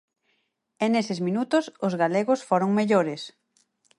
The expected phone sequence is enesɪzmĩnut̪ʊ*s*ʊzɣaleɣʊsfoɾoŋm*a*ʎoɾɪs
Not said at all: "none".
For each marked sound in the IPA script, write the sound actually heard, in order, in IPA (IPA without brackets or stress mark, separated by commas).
s, e